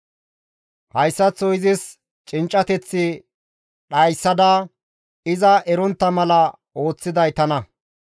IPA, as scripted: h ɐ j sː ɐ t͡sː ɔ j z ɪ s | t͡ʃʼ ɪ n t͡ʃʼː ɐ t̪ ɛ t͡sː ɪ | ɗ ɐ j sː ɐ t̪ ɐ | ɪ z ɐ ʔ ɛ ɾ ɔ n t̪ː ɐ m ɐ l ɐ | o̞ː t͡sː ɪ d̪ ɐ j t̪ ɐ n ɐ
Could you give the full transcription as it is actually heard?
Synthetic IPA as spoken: h ɐ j sː ɐ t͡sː ɔ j z ɪ s | t͡ʃʼ ɪ n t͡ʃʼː ɐ t̪ ɛ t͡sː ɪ | ɗ ɐ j sː ɐ d̪ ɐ | ɪ z ɐ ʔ ɛ ɾ ɔ n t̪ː ɐ m ɐ l ɐ | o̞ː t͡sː ɪ d̪ ɐ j t̪ ɐ n ɐ